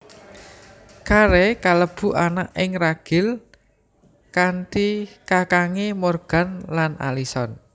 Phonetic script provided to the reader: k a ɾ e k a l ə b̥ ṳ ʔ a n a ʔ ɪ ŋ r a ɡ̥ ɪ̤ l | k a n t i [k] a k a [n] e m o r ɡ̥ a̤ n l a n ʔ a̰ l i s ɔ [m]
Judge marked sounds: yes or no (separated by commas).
yes, no, no